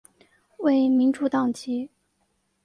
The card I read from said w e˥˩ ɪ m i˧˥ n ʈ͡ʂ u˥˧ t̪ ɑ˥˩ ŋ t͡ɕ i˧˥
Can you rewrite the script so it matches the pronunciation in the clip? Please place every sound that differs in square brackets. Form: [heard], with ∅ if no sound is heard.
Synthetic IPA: w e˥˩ ɪ m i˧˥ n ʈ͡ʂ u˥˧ t̪ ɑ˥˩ ŋ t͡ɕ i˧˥